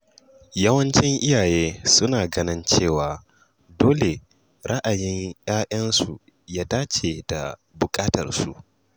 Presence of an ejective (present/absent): present